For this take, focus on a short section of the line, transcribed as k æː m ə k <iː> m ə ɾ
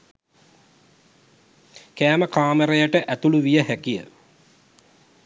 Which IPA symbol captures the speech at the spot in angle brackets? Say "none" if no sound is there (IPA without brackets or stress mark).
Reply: aː